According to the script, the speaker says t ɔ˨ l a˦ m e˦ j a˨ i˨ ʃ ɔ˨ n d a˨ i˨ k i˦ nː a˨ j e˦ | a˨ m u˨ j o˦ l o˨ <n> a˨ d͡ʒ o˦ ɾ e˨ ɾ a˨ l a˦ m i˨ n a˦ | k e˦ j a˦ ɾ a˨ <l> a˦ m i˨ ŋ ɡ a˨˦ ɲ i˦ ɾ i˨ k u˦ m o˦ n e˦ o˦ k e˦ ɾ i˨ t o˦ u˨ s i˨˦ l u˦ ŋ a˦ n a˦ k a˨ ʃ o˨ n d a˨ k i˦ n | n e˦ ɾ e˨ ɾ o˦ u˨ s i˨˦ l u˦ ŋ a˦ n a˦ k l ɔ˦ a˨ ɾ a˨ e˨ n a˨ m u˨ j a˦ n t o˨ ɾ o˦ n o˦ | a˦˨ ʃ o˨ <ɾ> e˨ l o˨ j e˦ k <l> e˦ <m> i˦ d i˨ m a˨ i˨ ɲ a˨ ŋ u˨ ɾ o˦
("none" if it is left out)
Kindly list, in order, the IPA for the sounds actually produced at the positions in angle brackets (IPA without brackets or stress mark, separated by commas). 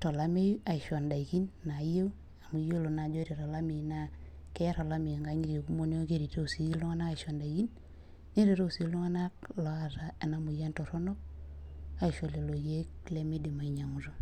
n, l, l, l, m